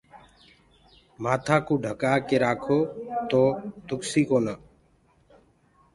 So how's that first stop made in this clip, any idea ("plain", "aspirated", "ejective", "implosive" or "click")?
aspirated